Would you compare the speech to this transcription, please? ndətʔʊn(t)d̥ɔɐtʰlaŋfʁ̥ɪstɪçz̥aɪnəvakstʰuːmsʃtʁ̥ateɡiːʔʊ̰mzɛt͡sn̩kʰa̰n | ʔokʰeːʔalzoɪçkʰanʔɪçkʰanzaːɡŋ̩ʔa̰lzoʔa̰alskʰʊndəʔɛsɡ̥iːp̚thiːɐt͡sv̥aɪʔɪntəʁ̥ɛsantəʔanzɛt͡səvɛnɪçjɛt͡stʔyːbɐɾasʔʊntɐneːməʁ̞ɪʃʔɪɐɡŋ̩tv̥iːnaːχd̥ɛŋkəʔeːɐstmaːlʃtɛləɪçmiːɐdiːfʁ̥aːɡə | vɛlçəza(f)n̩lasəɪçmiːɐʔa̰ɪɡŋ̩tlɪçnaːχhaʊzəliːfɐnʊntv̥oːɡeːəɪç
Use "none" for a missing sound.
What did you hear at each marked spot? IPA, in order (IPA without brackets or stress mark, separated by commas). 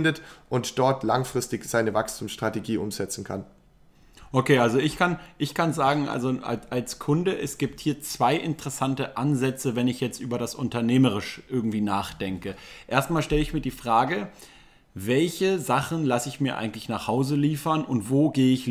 t, χ